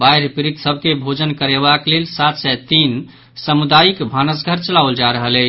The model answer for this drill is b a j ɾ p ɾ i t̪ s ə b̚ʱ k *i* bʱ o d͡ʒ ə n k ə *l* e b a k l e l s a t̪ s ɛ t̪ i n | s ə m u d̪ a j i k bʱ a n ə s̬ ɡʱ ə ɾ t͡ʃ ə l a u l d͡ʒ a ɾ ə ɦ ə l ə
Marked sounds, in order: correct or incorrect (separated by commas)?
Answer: incorrect, incorrect